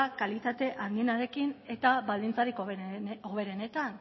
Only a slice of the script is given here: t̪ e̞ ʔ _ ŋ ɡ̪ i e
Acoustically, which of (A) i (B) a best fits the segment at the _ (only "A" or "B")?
B